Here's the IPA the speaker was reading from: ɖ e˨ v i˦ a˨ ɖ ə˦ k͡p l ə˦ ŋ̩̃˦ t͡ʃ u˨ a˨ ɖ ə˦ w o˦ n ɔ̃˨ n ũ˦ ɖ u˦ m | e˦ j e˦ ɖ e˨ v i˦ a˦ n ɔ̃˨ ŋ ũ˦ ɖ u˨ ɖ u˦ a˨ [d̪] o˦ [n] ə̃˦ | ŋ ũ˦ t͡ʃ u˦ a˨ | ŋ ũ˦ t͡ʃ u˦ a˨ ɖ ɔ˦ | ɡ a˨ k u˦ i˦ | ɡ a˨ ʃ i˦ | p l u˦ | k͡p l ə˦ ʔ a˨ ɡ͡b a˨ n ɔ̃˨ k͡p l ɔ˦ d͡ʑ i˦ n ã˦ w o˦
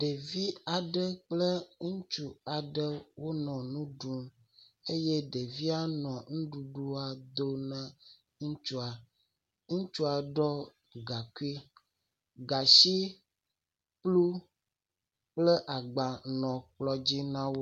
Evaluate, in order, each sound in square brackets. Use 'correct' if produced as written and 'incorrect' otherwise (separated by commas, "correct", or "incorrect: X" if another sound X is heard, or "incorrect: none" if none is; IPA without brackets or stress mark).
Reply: correct, correct